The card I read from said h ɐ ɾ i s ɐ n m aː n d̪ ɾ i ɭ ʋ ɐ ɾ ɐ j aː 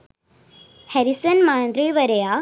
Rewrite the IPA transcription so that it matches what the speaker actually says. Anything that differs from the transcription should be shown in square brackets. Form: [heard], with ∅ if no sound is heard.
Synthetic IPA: h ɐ ɾ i s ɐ n m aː n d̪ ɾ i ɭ ʋ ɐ ɾ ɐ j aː